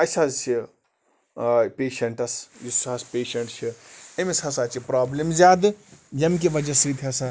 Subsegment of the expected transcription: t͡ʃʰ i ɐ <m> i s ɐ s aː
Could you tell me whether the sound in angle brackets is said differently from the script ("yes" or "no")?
no